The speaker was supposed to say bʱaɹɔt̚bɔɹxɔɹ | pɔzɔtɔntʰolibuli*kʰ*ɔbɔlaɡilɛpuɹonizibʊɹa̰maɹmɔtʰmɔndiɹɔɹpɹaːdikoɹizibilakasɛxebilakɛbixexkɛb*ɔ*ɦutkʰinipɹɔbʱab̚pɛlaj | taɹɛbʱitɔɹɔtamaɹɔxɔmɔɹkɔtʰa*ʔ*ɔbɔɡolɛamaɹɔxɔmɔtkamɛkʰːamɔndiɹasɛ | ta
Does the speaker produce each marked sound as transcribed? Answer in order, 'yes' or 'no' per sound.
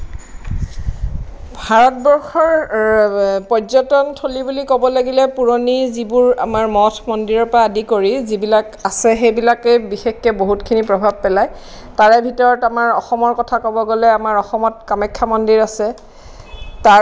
no, no, no

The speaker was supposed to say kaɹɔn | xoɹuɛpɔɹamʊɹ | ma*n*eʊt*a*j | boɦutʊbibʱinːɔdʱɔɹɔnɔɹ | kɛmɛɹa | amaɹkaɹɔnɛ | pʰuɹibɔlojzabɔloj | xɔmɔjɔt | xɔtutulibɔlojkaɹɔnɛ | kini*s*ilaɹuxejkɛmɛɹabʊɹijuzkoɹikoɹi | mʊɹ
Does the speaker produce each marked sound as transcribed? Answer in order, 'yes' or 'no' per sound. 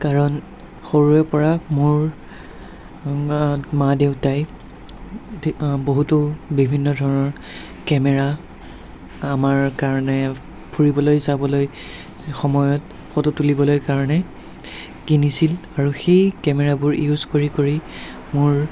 no, yes, yes

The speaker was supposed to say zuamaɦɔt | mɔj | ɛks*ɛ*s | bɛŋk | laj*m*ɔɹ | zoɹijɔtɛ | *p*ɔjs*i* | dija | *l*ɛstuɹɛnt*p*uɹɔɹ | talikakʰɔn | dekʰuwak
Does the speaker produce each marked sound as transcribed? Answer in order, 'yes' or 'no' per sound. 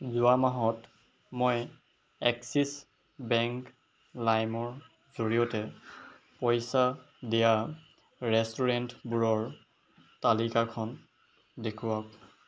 no, yes, yes, no, no, no

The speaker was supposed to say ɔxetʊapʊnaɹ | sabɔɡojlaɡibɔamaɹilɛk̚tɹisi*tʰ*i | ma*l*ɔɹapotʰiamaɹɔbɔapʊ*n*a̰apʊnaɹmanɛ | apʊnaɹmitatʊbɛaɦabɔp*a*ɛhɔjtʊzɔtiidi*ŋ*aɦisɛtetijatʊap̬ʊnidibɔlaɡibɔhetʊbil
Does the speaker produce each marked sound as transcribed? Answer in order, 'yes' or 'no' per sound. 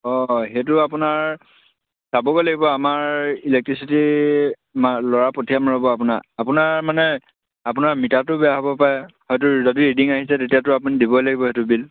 no, yes, yes, yes, yes

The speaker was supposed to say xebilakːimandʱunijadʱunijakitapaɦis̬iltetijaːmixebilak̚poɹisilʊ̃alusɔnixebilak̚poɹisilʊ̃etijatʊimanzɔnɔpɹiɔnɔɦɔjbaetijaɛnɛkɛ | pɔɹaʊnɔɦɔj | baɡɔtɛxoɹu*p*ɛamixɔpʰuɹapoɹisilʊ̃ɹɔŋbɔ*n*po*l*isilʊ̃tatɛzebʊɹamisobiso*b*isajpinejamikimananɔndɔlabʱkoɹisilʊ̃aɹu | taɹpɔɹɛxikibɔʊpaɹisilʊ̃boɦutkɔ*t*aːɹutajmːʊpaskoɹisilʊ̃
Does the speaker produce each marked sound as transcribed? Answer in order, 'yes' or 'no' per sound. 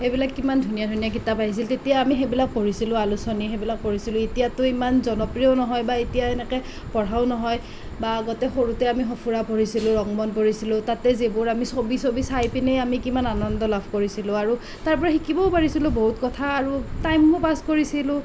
no, yes, no, yes, no

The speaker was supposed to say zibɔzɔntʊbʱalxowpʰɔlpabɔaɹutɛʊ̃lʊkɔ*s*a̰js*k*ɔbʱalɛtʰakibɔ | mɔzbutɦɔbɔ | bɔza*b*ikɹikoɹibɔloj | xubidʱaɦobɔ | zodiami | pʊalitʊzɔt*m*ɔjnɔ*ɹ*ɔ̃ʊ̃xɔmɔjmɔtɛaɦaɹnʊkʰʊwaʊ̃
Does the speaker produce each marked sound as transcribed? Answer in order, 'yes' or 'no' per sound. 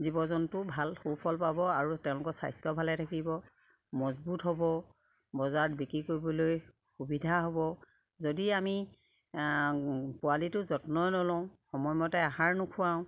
yes, no, yes, no, no

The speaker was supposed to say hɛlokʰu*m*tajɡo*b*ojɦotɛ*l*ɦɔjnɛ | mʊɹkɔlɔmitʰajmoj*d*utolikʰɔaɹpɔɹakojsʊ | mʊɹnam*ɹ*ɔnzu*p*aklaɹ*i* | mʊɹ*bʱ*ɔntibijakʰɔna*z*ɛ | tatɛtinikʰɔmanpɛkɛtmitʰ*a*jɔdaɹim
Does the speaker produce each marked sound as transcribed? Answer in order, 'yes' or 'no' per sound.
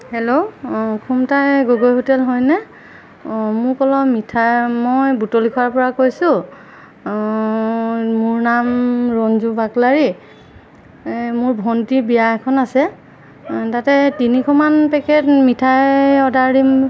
yes, no, yes, no, yes, no, yes, yes, no, yes

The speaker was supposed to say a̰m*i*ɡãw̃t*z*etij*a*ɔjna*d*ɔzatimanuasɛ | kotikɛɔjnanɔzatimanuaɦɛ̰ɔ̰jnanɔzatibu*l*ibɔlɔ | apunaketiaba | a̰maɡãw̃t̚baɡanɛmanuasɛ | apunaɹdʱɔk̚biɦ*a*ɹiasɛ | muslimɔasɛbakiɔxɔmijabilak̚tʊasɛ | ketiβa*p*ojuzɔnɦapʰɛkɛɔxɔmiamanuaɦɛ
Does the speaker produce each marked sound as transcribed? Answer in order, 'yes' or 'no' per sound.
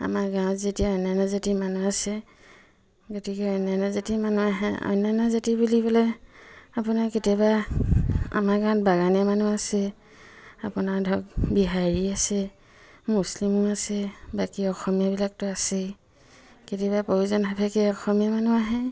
no, yes, yes, no, yes, yes, yes

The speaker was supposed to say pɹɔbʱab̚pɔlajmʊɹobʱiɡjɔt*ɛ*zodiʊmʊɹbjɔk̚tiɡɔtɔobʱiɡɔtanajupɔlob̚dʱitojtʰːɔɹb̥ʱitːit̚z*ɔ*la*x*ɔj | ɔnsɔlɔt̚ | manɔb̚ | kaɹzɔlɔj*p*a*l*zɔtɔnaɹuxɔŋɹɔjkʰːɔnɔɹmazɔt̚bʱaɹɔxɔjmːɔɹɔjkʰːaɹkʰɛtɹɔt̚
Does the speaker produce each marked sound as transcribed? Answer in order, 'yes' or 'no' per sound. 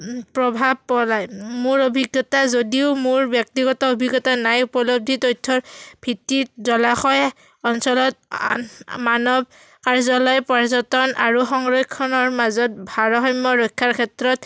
no, yes, yes, yes, no

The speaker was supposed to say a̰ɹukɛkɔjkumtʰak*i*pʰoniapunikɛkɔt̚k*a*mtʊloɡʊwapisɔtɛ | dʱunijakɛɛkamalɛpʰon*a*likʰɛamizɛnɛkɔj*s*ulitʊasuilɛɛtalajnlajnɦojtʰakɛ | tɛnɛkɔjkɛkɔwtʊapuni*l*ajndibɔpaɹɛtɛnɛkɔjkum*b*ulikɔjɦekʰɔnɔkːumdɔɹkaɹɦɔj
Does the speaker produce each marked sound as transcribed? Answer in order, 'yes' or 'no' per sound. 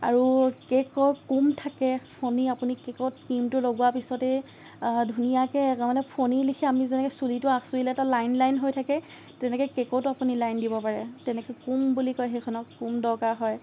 no, no, no, yes, yes, yes

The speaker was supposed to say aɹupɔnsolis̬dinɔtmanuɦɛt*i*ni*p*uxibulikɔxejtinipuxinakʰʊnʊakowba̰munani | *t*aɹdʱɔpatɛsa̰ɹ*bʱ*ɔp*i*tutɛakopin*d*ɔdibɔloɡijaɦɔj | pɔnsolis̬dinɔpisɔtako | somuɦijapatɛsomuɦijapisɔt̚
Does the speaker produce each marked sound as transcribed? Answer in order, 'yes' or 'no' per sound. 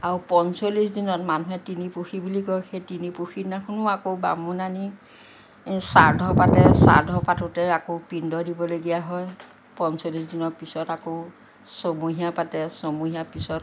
yes, yes, no, no, no, yes

